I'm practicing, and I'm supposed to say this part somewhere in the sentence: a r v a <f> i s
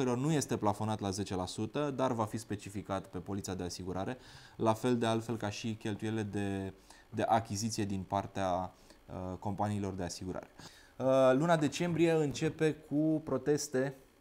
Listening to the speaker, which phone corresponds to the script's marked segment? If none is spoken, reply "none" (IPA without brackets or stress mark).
f